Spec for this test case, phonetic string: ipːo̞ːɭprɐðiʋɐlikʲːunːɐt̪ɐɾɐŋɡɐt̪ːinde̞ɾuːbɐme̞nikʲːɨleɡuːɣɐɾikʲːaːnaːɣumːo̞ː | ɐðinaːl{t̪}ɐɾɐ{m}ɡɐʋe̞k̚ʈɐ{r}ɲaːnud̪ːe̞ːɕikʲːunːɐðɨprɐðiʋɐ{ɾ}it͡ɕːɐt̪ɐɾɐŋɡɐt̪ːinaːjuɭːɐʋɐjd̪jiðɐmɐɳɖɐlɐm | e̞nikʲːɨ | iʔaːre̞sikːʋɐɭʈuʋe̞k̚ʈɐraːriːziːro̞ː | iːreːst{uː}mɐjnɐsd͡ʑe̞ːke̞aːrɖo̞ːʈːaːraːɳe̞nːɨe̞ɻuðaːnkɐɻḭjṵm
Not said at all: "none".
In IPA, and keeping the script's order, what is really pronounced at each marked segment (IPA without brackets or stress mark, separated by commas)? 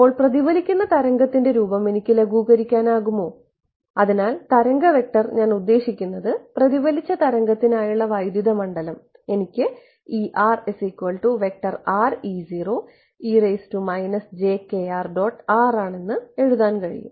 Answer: t̪, ŋ, r, l, u